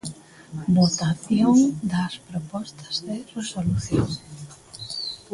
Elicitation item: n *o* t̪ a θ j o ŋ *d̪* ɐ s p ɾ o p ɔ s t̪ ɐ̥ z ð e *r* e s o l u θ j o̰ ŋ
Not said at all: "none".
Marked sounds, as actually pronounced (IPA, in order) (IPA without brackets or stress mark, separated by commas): o, d̪, r